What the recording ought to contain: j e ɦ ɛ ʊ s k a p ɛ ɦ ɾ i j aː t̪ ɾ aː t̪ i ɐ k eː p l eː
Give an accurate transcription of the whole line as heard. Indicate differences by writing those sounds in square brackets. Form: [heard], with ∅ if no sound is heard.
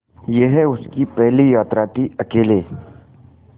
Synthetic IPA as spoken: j e ɦ ɛ ʊ s k [i] p ɛ ɦ [l] i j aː t̪ ɾ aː t̪ i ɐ k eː [∅] l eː